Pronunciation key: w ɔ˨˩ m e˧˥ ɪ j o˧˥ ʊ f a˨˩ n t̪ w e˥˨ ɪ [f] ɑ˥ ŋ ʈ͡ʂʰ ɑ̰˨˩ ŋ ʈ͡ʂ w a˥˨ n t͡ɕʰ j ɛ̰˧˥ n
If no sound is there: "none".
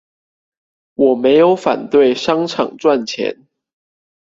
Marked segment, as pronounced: ʂ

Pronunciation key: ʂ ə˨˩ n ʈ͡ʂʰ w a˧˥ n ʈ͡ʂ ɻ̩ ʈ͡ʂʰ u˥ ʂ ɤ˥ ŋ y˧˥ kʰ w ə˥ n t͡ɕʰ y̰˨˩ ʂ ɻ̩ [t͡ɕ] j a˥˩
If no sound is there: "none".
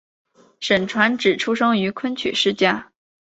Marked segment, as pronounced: t͡ɕ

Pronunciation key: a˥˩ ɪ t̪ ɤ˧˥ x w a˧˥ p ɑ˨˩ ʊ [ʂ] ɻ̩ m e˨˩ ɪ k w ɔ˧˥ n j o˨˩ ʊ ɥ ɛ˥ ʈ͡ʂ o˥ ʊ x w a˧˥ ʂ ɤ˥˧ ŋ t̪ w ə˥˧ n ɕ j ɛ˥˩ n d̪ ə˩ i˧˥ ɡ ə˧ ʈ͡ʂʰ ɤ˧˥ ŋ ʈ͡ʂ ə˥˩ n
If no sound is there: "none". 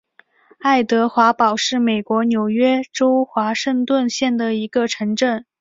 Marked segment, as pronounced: ʂ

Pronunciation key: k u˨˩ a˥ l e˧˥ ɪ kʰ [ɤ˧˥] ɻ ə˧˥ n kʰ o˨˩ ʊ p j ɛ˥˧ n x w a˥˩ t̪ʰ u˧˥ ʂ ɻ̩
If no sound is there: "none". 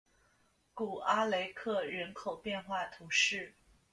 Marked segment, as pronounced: ɤ˥˩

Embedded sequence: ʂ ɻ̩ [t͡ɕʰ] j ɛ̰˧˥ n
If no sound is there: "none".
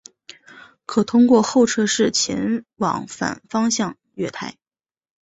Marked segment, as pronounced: t͡ɕʰ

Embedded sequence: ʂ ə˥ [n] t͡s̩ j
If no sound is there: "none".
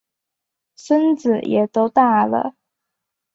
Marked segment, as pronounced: n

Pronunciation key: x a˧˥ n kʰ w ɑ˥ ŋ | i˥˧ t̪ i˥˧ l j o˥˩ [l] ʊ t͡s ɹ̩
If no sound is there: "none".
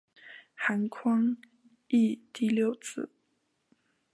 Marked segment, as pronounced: none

